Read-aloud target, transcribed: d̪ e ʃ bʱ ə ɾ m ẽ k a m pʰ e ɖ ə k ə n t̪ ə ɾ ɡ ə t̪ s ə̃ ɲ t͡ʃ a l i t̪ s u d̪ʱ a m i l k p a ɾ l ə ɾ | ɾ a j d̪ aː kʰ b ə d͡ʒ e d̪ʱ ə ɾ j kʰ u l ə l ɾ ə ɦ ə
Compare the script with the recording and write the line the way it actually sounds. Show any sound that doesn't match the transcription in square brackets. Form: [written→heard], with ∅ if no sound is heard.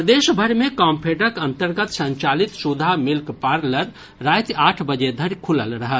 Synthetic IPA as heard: d̪ e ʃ bʱ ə ɾ m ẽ k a m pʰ e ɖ ə k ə n t̪ ə ɾ ɡ ə t̪ s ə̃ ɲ t͡ʃ a l i t̪ s u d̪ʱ a m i l k p a ɾ l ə ɾ | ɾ a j [d̪→t̪] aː [kʰ→ʈʰ] b ə d͡ʒ e d̪ʱ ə ɾ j kʰ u l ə l ɾ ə ɦ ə